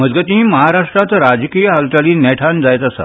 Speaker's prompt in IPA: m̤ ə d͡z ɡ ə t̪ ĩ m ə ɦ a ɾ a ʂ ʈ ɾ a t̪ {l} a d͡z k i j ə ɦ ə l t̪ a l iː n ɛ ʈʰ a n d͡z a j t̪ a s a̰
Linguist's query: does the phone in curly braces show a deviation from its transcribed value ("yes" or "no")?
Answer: yes